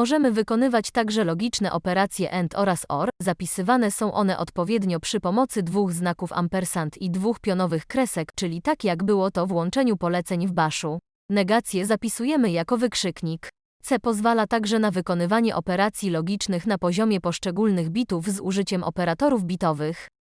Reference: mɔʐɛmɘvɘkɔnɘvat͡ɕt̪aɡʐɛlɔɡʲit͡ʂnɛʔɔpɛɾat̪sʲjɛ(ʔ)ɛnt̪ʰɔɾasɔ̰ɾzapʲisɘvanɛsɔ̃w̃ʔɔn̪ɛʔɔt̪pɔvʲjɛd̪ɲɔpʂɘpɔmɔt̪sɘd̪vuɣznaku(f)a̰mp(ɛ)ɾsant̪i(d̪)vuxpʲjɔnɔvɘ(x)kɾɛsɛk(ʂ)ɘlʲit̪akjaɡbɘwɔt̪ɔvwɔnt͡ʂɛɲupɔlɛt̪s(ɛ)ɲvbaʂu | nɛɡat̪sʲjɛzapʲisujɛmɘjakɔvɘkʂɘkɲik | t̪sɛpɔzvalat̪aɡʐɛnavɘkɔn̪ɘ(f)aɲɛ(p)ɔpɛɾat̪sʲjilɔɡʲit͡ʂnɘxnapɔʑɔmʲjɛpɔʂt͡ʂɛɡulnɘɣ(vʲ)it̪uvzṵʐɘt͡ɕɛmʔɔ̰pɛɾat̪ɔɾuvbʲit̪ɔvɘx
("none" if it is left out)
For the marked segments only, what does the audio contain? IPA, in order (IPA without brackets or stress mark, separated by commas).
ʔ, f, ɛ, d̪, x, t͡ʂ, ɛ, v, ʔ, bʲ